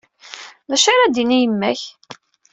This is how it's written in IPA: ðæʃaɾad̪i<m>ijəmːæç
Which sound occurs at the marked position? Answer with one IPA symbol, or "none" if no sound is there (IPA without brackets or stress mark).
n